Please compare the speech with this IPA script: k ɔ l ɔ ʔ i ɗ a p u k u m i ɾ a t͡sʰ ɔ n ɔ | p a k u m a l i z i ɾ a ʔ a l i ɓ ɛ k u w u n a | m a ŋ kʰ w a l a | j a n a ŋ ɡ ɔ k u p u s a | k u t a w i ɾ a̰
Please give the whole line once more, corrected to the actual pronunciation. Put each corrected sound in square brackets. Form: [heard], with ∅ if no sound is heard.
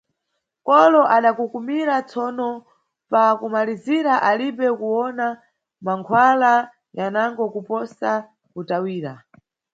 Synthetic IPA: k ɔ l ɔ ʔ [a] ɗ a [k] u k u m i ɾ a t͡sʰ ɔ n ɔ | p a k u m a l i z i ɾ a ʔ a l i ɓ ɛ k u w [ɔ] n a | m a ŋ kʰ w a l a | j a n a ŋ ɡ ɔ k u p [ɔ] s a | k u t a w [iː] ɾ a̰